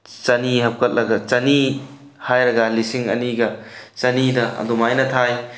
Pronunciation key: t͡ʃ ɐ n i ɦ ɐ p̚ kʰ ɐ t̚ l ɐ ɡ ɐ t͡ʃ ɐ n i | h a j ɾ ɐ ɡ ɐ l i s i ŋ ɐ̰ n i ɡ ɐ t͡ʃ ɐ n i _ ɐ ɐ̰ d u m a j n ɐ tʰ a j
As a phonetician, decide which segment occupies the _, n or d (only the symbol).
d